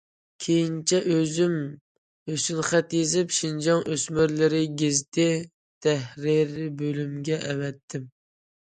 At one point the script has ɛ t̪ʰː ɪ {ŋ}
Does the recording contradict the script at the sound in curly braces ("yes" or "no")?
yes